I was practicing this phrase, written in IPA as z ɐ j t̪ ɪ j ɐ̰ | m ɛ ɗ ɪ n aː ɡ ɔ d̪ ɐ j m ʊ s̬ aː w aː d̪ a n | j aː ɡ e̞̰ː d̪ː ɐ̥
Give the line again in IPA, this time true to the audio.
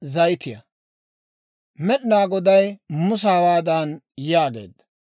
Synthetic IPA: z ɐ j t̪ ɪ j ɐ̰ | m ɛ ɗ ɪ n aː ɡ ɔ d̪ ɐ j m ʊ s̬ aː w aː d̪ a n | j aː ɡ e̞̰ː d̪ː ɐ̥